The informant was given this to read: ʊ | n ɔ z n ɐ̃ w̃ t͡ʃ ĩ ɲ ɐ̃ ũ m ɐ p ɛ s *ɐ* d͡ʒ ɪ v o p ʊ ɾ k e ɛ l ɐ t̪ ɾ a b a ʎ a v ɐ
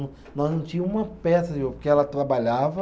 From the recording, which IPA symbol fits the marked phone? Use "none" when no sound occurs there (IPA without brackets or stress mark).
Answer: ɐ